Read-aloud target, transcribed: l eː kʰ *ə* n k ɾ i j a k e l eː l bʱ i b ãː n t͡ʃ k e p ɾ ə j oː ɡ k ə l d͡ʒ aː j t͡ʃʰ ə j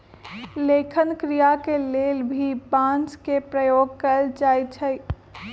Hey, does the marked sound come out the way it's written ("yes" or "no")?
yes